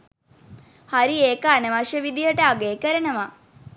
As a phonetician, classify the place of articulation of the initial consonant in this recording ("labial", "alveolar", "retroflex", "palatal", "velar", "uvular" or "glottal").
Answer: glottal